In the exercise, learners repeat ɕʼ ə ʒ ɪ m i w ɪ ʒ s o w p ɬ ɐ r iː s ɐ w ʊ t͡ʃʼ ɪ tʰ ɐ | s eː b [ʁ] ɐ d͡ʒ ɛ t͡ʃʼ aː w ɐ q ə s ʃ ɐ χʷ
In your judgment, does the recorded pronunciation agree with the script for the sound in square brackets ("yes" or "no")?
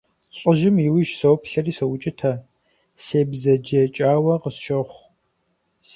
no